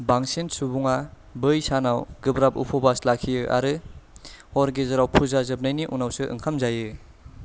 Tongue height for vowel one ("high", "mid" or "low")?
low